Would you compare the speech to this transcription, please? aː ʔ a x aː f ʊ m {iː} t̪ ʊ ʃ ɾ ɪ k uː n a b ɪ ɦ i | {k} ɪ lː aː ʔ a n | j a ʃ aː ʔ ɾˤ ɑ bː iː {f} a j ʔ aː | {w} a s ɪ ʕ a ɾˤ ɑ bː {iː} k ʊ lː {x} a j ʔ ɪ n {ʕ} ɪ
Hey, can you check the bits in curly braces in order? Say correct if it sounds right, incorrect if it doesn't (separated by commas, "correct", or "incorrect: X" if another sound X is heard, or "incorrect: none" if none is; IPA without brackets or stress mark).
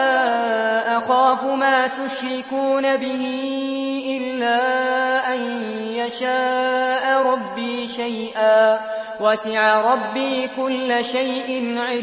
incorrect: aː, incorrect: ʔ, incorrect: ʃ, correct, correct, incorrect: ʃ, correct